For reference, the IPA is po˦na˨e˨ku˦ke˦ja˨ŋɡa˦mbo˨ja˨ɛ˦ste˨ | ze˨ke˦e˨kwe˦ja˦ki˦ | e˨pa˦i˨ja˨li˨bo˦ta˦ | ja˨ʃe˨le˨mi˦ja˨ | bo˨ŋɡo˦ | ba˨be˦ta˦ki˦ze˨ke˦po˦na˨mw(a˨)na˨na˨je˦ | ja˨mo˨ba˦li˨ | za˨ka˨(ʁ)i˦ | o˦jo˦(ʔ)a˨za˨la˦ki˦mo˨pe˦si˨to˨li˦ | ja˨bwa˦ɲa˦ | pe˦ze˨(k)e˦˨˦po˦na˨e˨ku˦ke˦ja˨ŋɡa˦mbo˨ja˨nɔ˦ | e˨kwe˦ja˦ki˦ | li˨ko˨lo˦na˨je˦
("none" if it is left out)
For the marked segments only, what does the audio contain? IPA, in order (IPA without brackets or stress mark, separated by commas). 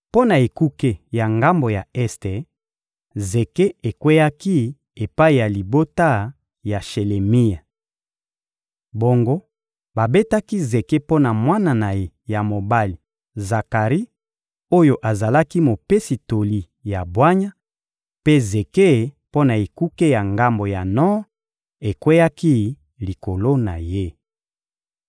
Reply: a˦, ʁ, ʔ, k